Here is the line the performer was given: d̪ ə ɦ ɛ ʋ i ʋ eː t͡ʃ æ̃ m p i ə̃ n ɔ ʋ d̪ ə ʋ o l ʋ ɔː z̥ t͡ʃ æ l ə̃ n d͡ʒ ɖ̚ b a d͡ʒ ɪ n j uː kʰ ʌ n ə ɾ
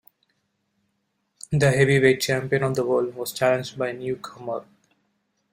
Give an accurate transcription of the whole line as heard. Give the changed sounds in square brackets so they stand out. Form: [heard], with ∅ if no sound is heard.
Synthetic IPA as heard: d̪ ə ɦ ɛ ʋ i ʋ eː t͡ʃ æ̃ m p i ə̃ n ɔ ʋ d̪ ə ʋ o l ʋ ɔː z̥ t͡ʃ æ l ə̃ n d͡ʒ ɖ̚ b a [∅] ɪ n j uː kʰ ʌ [m] ə ɾ